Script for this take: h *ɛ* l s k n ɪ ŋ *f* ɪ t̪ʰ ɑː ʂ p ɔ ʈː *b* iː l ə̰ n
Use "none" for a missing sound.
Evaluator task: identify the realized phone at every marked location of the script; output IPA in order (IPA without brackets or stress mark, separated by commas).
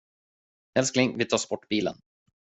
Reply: ɛ, v, b